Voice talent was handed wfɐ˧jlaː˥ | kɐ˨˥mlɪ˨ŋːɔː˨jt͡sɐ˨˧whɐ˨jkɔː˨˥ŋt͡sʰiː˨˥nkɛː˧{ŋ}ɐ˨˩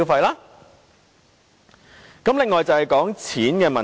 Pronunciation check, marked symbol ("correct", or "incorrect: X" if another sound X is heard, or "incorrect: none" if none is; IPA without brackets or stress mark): incorrect: m